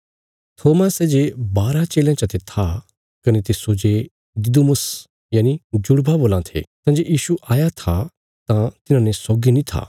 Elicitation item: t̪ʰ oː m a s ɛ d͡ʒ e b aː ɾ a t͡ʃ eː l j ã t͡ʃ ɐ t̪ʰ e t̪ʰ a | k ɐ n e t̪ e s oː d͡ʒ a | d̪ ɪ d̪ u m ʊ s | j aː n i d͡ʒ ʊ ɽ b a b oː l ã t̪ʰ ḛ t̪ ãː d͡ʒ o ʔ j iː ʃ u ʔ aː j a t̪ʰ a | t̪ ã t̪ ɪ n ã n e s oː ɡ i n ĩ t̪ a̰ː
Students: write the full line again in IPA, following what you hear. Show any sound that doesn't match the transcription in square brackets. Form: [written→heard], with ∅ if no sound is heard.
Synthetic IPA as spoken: t̪ʰ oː m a s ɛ d͡ʒ e b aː ɾ a t͡ʃ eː l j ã t͡ʃ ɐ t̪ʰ e t̪ʰ a | k ɐ n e t̪ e s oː d͡ʒ [a→e] | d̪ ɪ d̪ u m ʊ s | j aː n i d͡ʒ ʊ ɽ b a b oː l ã t̪ʰ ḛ t̪ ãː d͡ʒ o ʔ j iː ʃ u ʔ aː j a t̪ʰ a | t̪ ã t̪ ɪ n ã n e s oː ɡ i n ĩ [t̪→t̪ʰ] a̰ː